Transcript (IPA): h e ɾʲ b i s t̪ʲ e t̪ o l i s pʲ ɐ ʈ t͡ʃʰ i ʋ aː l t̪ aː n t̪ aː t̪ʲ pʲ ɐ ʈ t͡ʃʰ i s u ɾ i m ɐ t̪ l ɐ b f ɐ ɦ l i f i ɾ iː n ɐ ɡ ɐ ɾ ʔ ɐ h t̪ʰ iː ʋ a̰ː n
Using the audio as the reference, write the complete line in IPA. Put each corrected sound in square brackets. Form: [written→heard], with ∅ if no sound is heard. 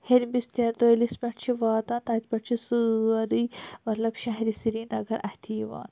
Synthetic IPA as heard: h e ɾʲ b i s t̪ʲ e t̪ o l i s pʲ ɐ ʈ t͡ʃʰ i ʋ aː [l→∅] t̪ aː n t̪ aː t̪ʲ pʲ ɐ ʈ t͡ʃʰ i s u ɾ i m ɐ t̪ l ɐ b [f→ʃ] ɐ ɦ [l→ɾ] i [f→s] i ɾ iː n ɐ ɡ ɐ ɾ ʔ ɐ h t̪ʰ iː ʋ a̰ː n